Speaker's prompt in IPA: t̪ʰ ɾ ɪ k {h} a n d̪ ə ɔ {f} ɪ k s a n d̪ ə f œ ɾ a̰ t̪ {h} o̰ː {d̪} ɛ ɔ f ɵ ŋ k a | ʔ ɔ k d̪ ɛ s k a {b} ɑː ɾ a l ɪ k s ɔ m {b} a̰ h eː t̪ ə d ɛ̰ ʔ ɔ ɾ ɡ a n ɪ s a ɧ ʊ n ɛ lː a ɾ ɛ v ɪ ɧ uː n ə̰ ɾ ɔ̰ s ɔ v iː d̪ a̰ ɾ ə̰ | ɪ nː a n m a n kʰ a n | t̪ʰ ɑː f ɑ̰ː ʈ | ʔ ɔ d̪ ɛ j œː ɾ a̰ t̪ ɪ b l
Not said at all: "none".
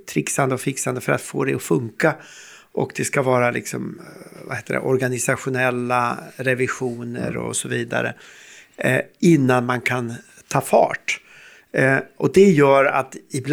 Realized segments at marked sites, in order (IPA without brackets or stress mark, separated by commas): s, f, f, d̪, v, v